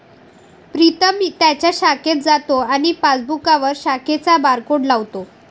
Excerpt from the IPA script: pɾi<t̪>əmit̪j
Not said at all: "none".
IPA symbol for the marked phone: t̪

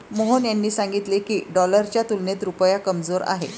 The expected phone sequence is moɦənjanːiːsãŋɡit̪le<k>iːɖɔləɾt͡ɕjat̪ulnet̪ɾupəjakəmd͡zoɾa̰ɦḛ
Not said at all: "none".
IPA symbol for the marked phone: k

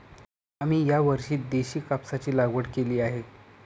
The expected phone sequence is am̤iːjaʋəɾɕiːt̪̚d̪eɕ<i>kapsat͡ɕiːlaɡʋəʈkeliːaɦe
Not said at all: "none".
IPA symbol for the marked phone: iː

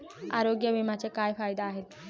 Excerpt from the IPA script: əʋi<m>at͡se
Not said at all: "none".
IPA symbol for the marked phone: m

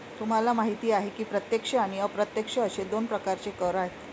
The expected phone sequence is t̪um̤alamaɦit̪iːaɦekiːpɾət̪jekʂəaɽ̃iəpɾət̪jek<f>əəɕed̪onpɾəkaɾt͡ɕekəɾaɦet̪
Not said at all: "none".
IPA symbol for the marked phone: ʂ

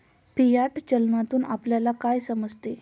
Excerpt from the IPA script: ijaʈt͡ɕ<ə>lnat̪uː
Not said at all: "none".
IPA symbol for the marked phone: ə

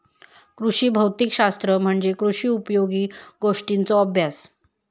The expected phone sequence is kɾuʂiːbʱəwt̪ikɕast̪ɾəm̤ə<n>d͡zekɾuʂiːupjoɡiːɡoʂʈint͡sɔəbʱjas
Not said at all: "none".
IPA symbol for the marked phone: ɳ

